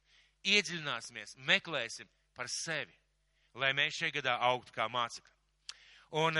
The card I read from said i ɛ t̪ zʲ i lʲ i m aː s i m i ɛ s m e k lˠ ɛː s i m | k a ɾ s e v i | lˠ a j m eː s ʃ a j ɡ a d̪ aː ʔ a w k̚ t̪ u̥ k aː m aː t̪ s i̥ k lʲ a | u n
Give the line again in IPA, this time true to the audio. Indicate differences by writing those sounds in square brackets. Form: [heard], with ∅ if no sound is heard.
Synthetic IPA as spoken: i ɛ [d̪] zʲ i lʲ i [n] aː s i m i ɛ s m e k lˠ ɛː s i m | [p] a ɾ s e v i | lˠ a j m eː s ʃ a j ɡ a d̪ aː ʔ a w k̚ t̪ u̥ k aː m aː t̪ s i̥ k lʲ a | u n